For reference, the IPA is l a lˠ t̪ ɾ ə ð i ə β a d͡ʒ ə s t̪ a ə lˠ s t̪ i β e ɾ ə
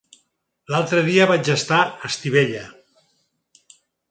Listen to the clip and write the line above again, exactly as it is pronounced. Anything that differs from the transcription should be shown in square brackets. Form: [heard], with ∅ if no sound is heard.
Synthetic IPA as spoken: l a lˠ t̪ ɾ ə ð i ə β a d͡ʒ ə s t̪ a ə [∅] s t̪ i β e [ʎ] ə